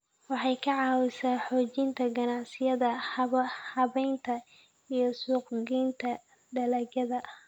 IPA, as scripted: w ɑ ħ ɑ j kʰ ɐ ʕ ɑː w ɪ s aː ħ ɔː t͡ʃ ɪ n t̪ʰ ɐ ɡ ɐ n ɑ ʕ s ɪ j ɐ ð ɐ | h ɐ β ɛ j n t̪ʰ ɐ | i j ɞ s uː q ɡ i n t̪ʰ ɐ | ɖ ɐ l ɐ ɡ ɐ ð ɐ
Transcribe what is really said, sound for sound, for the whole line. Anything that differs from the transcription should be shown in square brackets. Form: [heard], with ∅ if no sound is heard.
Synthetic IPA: w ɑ ħ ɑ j kʰ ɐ ʕ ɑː w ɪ s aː ħ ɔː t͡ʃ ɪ n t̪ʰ ɐ ɡ ɐ n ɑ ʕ s ɪ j ɐ ð ɐ | h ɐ β ɛ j n t̪ʰ ɐ | i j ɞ s uː q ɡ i n t̪ʰ ɐ | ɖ ɐ l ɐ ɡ ɐ ð ɐ